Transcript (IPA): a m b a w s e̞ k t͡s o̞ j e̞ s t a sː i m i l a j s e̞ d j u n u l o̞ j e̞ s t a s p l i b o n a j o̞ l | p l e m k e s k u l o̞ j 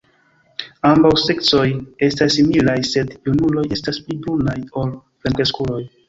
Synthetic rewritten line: a m b a w s e̞ k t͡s o̞ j e̞ s t a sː i m i l a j s e̞ d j u n u l o̞ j e̞ s t a s p l i b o n a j o̞ l | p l e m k e s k u l o̞ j